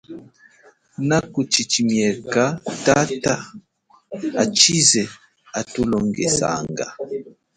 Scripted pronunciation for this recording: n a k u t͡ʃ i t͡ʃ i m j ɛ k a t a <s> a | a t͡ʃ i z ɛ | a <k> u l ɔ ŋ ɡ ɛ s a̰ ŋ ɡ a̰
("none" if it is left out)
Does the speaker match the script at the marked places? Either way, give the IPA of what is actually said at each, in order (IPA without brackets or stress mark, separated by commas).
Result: t, t